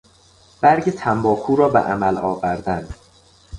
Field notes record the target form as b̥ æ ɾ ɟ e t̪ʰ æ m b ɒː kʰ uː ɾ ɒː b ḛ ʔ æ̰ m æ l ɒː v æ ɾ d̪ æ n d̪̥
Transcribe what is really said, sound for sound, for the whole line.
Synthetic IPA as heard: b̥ æ ɾ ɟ e t̪ʰ æ m b ɒː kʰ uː ɾ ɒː b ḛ ʔ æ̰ m æ l ɒː v æ ɾ d̪ æ n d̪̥